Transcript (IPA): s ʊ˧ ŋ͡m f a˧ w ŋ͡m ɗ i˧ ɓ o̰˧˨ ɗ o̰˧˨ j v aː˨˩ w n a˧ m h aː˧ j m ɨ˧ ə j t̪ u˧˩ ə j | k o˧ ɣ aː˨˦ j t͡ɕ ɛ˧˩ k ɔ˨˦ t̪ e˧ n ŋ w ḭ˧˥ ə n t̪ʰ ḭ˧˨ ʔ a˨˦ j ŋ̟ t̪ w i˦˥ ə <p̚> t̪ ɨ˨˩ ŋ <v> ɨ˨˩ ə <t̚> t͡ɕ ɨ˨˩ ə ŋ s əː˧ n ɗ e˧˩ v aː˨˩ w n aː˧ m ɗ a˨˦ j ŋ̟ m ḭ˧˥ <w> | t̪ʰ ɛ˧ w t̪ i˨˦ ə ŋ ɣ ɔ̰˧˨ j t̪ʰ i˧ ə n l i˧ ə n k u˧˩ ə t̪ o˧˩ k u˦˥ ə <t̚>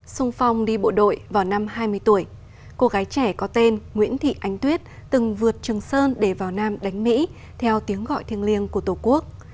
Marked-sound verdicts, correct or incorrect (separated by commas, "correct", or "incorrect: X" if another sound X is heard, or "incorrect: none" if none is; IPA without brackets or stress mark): incorrect: t̚, correct, correct, incorrect: none, incorrect: k̚